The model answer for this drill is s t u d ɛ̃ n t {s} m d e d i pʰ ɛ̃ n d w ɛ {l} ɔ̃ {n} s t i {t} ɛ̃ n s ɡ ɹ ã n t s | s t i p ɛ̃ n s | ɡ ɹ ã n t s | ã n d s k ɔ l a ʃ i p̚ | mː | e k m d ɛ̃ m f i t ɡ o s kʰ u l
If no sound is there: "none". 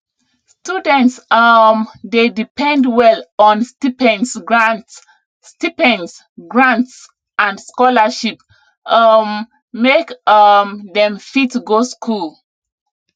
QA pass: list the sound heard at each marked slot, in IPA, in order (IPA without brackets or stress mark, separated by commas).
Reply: s, l, n, p